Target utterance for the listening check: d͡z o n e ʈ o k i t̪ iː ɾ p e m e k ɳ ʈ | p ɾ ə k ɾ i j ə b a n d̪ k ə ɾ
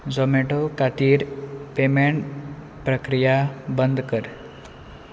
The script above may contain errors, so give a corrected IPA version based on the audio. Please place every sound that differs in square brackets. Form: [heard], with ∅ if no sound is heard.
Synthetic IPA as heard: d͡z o [m] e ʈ o k [a] t̪ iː ɾ p e m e [∅] ɳ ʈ | p ɾ ə k ɾ i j [a] b [ə] n d̪ k ə ɾ